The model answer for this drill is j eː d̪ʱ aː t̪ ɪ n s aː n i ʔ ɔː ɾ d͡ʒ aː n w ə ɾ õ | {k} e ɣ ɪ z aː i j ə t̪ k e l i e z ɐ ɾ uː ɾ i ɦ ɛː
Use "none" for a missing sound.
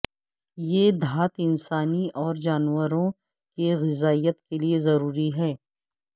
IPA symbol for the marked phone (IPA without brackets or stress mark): k